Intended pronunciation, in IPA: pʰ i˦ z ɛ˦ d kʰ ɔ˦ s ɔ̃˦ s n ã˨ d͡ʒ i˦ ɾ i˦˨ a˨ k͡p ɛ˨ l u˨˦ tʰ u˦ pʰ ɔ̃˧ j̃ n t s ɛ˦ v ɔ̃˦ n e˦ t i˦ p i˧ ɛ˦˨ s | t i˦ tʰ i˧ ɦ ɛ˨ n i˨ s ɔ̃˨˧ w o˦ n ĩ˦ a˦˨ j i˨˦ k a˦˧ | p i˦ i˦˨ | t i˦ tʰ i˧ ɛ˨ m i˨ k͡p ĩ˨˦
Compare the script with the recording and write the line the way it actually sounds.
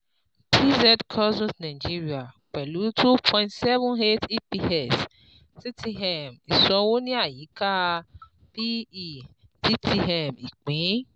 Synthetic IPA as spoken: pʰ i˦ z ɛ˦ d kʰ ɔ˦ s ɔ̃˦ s n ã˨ d͡ʒ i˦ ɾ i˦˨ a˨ k͡p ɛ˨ l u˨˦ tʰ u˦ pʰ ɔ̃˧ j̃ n t s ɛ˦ v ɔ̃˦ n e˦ t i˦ p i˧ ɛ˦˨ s | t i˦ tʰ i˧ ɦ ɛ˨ m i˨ s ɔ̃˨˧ w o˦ n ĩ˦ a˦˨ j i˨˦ k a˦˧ | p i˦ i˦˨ | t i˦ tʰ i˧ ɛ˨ m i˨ k͡p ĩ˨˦